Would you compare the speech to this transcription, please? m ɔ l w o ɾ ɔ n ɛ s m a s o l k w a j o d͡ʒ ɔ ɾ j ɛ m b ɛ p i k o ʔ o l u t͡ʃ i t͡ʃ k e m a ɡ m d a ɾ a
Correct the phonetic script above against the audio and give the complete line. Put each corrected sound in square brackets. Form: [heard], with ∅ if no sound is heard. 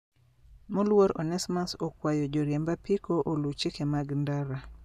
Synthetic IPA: m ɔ l w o ɾ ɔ n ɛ s m a s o [∅] k w a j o d͡ʒ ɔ ɾ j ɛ m b [a] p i k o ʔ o l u t͡ʃ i [∅] k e m a ɡ [n] d a ɾ a